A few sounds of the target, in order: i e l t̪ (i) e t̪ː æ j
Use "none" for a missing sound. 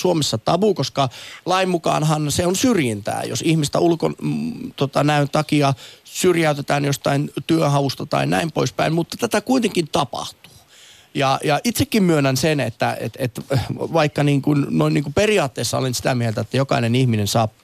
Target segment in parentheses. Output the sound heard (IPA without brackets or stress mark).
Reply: æ